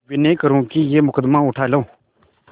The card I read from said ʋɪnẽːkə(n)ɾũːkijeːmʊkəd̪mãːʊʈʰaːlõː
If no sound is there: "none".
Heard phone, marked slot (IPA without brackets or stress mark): none